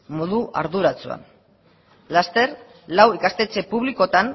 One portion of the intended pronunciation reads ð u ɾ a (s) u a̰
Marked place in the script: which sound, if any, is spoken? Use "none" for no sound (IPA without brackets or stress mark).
t͡s